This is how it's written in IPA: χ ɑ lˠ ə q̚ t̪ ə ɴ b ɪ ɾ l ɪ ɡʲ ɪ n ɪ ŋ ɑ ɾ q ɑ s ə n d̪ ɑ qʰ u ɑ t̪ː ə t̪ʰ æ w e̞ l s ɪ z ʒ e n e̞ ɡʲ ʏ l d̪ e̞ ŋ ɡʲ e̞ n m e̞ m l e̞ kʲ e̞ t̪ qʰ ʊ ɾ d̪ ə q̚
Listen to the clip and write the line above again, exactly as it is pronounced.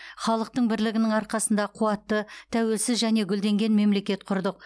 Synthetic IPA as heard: χ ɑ lˠ ə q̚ t̪ ə ɴ b ɪ ɾ l ɪ ɡʲ ɪ n ɪ ŋ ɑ ɾ q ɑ s ə n d̪ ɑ qʰ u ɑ t̪ː ə t̪ʰ æ w e̞ l s ɪ z ʒ æ n e̞ ɡʲ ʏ l d̪ e̞ ŋ ɡʲ e̞ n m e̞ m l e̞ kʲ e̞ t̪ qʰ ʊ ɾ d̪ ə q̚